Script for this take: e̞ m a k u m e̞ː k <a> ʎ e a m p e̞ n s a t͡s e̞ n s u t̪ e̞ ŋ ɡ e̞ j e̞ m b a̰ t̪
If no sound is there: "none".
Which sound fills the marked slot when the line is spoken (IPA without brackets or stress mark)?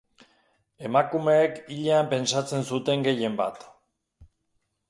i